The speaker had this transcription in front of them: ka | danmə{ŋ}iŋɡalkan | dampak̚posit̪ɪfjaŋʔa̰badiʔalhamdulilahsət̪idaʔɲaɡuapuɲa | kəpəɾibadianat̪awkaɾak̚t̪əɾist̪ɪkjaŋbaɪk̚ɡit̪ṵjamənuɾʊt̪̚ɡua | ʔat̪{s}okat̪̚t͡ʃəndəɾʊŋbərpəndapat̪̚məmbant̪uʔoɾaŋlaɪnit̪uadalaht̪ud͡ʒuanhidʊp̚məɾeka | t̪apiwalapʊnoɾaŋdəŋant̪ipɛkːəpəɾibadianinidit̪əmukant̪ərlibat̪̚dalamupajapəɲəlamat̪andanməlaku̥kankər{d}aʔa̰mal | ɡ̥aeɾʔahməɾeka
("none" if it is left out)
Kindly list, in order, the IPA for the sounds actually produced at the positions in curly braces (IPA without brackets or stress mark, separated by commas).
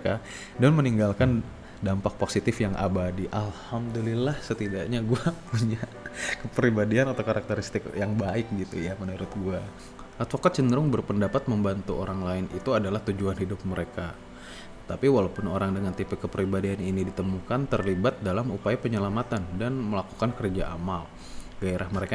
n, f, d͡ʒ